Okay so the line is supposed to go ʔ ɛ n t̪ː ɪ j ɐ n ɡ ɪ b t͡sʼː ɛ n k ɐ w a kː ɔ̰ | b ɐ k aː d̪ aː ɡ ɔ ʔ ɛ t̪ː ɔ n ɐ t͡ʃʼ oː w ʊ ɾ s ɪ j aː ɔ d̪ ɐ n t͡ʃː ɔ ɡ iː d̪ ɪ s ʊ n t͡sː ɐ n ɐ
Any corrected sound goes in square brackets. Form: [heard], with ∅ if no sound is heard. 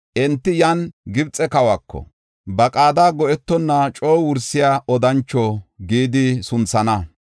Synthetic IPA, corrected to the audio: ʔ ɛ n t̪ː ɪ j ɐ n ɡ ɪ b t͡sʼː ɛ [∅] k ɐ w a kː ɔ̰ | b ɐ [kʼ] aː d̪ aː ɡ ɔ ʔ ɛ t̪ː ɔ [nː] ɐ t͡ʃʼ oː w ʊ ɾ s ɪ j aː ɔ d̪ ɐ n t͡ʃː ɔ ɡ iː d̪ ɪ s ʊ n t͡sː ɐ n ɐ